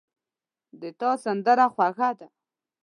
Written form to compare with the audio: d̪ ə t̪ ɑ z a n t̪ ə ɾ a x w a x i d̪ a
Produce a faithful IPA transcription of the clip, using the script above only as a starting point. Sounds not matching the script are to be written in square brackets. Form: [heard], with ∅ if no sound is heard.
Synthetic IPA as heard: d̪ ə t̪ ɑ [s] a n [d̪] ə ɾ a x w a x [a] d̪ a